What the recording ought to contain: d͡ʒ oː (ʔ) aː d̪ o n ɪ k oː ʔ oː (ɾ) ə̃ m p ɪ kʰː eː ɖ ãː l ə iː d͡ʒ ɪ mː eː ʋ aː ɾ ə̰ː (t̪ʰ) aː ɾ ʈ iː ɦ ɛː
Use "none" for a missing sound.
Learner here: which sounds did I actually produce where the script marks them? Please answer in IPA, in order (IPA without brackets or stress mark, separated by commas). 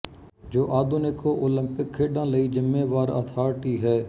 ʔ, l, t̪ʰ